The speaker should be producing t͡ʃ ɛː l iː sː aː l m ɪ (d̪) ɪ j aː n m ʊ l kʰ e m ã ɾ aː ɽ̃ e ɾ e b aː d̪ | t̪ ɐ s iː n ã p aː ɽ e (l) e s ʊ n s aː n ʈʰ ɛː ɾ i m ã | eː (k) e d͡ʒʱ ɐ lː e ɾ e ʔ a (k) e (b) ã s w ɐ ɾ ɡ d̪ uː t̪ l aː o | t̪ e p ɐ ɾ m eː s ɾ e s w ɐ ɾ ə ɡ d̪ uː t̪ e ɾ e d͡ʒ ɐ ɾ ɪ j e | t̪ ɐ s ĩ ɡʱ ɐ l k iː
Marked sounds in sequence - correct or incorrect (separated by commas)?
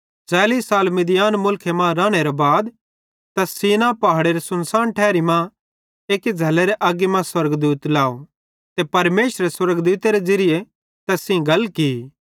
correct, incorrect, correct, incorrect, incorrect